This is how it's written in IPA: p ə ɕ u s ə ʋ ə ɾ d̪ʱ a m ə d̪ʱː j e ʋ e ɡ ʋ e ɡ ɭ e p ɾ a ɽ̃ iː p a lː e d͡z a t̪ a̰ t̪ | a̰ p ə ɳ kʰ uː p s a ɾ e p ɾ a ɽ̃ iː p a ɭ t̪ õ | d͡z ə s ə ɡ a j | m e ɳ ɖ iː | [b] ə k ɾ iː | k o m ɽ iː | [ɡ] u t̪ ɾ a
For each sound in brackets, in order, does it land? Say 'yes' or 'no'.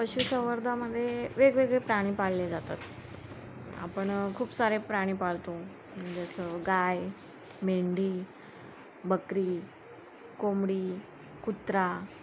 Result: yes, no

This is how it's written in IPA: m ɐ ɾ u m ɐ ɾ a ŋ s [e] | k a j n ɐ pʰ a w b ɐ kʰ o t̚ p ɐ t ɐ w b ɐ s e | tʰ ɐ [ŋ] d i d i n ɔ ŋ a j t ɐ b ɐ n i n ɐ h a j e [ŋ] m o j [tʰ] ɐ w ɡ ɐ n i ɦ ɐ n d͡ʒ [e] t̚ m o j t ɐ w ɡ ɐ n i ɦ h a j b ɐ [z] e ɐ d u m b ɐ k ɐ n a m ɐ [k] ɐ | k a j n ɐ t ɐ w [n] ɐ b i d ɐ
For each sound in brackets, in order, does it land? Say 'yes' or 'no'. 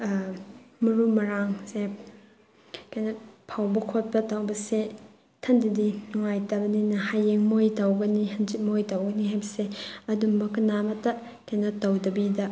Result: yes, no, yes, no, no, no, no, no

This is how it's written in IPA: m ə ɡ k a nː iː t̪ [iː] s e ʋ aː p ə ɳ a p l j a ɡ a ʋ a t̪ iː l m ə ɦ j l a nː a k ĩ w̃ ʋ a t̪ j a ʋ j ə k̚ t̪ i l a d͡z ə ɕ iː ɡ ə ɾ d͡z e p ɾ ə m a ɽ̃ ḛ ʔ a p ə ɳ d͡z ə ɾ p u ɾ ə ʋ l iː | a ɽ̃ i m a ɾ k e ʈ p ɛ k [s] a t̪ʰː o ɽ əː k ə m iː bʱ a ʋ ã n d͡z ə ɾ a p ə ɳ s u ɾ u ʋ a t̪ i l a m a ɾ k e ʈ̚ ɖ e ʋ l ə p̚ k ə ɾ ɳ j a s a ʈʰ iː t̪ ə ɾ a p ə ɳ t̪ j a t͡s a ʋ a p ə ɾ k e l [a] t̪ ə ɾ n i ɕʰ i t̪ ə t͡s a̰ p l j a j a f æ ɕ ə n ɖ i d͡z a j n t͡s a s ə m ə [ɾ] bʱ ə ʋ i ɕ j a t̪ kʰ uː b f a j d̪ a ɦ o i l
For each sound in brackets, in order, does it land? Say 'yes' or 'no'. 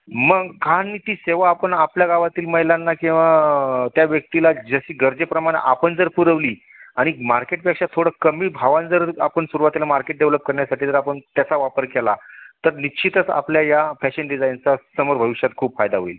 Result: yes, no, yes, yes

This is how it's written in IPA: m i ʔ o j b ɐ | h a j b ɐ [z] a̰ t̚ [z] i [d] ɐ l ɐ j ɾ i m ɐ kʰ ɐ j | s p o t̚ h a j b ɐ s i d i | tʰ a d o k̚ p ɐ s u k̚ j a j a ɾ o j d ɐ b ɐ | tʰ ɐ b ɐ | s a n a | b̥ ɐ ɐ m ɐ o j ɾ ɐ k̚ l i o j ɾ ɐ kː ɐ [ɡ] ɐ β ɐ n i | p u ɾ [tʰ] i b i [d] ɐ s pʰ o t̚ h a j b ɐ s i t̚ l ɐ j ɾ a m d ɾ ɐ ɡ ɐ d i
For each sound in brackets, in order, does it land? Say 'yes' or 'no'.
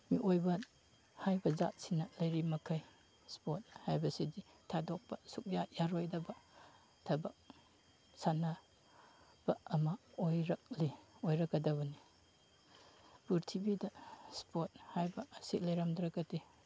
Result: yes, no, no, no, yes, yes

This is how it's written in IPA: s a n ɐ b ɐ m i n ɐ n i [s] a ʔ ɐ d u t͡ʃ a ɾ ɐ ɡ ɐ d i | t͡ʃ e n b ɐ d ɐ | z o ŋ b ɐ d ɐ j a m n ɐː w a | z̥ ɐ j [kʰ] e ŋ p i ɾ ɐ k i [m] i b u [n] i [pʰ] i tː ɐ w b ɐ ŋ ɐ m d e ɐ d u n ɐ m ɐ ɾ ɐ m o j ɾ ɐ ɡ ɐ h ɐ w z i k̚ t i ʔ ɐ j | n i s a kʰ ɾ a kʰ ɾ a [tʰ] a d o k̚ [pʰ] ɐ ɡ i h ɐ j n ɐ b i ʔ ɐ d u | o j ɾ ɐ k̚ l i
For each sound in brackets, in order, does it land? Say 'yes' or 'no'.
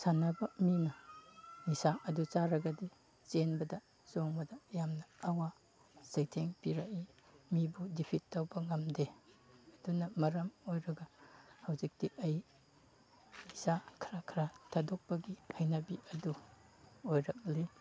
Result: yes, no, yes, no, yes, yes, no

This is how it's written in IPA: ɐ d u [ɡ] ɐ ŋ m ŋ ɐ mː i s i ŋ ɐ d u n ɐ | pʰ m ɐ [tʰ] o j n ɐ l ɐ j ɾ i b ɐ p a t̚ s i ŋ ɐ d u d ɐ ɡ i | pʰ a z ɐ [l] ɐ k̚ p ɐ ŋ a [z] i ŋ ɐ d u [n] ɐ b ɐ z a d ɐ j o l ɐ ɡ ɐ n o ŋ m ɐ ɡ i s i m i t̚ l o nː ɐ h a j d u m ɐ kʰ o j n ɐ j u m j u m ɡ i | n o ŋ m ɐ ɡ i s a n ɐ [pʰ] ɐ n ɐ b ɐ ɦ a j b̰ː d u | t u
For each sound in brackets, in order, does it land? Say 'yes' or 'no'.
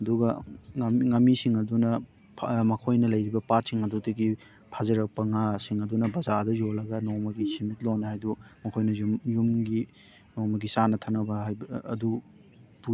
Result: yes, no, no, no, yes, no

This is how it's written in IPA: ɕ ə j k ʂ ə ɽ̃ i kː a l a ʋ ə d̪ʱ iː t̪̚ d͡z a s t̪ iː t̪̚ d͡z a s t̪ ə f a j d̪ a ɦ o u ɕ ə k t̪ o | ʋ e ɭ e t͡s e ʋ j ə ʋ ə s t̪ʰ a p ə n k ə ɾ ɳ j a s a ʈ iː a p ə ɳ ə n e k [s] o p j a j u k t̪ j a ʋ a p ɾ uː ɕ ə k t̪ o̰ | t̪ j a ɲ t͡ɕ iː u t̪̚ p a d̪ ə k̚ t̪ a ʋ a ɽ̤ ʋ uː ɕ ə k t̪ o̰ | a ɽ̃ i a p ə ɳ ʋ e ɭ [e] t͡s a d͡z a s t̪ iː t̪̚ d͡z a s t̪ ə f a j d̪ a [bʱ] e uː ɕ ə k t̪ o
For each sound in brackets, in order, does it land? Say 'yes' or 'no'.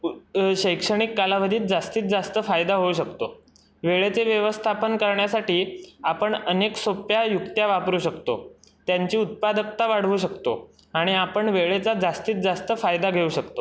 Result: yes, yes, no

